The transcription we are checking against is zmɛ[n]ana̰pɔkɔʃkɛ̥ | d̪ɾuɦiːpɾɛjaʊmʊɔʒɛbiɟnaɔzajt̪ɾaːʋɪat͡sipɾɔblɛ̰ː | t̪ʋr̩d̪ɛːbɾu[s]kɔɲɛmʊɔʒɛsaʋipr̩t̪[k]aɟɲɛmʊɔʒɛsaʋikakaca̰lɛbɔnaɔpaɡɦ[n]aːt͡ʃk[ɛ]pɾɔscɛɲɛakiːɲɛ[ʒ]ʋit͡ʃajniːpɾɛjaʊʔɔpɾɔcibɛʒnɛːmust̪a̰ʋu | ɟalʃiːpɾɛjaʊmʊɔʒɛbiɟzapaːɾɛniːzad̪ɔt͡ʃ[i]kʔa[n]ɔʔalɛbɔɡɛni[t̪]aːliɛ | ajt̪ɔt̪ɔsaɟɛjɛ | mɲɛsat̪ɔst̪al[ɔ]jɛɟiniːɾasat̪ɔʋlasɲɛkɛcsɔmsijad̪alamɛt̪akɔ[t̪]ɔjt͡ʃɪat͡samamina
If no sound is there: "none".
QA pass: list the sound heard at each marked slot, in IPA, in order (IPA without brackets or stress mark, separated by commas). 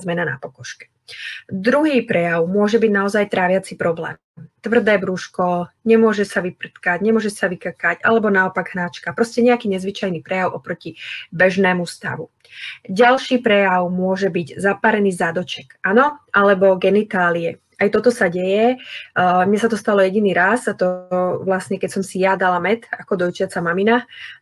n, ʃ, k, n, a, z, ɛ, n, t̪, ɔ, d̪